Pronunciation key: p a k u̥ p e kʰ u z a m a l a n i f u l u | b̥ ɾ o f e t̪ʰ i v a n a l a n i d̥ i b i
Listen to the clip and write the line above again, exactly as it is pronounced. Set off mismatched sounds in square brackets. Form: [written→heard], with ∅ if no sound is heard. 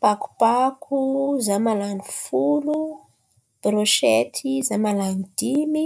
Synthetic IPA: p a k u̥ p [e→a] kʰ u z a m a l a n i f u l u | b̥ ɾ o [f→ʃ] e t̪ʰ i [v→z] a [n→m] a l a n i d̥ i [b→m] i

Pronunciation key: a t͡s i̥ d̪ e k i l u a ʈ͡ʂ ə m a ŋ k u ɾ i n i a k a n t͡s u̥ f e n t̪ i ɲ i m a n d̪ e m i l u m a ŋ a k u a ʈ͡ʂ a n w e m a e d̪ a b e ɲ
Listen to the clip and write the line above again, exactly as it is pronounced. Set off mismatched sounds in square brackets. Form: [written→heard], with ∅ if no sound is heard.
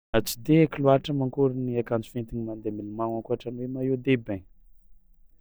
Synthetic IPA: a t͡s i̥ d̪ e k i l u a ʈ͡ʂ ə m a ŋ k u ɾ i n i a k a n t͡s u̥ f e n t̪ i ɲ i m a n d̪ e m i l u m a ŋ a k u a ʈ͡ʂ a n w e m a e d̪ [a→e] b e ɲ

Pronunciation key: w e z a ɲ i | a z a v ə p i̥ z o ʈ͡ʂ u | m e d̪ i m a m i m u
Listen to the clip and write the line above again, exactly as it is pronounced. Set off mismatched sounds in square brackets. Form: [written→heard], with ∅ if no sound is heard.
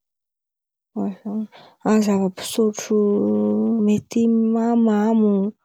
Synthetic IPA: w [e→a] z a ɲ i | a z a v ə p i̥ [z→s] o ʈ͡ʂ u | m e [d̪→t̪] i m a m [i→a] m u

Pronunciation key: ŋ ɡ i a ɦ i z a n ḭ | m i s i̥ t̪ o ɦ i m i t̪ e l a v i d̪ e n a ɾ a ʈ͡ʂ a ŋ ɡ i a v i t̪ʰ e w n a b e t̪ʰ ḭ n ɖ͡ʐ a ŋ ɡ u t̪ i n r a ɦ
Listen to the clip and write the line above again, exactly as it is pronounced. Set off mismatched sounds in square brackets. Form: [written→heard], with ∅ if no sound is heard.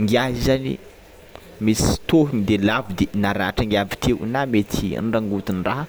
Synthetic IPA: ŋ ɡ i a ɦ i z a n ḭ | m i s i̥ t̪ o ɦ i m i [t̪→d̪] e l a v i d̪ e n a ɾ a ʈ͡ʂ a ŋ ɡ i a v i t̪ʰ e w n a [b→m] e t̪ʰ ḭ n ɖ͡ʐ a ŋ ɡ u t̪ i n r a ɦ

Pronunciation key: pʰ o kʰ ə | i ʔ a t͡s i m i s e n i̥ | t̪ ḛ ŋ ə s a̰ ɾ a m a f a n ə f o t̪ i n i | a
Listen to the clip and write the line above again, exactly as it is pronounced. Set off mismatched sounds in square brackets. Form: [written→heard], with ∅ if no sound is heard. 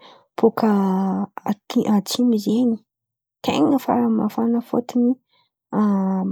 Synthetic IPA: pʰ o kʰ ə | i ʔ a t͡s i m i [s→z] e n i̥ | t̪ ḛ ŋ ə [s→f] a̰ ɾ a m a f a n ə f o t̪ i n i | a

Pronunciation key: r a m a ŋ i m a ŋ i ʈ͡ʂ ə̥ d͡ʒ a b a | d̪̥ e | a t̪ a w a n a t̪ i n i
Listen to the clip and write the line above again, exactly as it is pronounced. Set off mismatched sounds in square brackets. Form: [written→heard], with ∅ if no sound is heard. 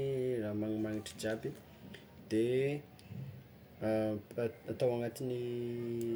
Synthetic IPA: r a m a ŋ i m a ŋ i ʈ͡ʂ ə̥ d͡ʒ a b [a→i] | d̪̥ e | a t̪ a w a [n→ŋ] a t̪ i n i

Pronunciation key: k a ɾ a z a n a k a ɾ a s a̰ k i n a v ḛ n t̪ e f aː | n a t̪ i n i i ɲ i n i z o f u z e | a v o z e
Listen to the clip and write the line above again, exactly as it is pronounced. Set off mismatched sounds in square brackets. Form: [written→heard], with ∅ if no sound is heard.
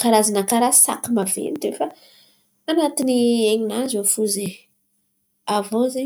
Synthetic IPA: k a ɾ a z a n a k a ɾ a s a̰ k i [n→m] a v ḛ n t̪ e f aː | n a t̪ i n i [i→e] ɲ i n [i→a] z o f u z e | a v o z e

